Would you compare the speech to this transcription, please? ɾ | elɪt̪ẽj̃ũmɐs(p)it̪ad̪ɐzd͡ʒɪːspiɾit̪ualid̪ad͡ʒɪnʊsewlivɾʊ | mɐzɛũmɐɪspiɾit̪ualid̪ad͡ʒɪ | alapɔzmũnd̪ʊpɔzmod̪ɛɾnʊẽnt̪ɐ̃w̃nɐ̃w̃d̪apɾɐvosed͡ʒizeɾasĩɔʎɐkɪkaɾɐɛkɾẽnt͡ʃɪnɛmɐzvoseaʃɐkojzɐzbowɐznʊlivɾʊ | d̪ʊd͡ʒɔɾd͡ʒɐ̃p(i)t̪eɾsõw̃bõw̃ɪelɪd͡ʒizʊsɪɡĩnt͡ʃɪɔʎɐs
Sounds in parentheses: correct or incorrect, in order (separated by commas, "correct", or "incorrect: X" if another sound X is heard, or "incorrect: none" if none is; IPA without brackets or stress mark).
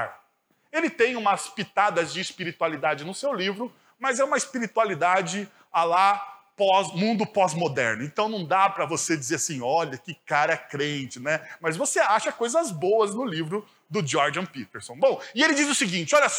correct, correct